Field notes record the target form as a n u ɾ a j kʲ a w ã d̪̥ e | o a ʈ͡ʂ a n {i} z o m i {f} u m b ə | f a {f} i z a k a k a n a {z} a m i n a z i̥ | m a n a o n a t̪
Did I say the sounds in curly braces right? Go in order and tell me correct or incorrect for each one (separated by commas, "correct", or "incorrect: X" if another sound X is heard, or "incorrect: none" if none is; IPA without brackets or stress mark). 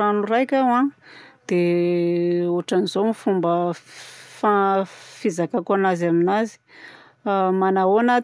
correct, correct, correct, correct